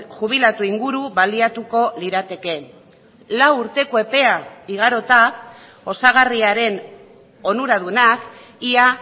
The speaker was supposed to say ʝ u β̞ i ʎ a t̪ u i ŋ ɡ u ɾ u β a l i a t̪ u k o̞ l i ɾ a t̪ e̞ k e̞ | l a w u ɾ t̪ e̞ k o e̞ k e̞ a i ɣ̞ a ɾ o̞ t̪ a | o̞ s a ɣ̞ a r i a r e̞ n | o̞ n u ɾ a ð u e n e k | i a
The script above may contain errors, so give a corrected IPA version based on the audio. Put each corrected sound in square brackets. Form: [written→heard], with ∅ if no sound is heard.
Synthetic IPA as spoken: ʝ u β̞ i [ʎ→l] a t̪ u i ŋ ɡ u ɾ u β a l i a t̪ u k o̞ l i ɾ a t̪ e̞ k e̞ | l a w u ɾ t̪ e̞ k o e̞ [k→p] e̞ a i ɣ̞ a ɾ o̞ t̪ a | o̞ s a ɣ̞ a r i a [r→ɾ] e̞ n | o̞ n u ɾ a ð u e n [e→a] k | i a